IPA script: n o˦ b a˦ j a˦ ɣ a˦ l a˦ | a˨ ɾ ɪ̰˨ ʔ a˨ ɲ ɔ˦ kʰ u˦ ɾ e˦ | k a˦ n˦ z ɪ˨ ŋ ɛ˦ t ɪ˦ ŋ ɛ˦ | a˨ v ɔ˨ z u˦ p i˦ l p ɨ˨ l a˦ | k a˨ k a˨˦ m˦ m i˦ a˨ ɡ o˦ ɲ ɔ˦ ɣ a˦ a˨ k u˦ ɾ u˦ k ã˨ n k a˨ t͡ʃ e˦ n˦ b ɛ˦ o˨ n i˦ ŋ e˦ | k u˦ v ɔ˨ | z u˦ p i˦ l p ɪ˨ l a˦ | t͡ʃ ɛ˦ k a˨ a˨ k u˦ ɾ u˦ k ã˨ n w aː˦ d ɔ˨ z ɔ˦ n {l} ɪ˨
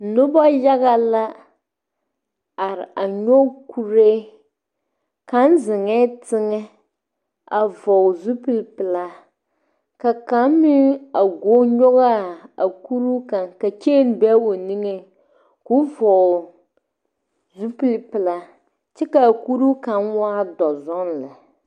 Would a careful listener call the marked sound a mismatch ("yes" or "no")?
no